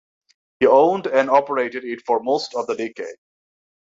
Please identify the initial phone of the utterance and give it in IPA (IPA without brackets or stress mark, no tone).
h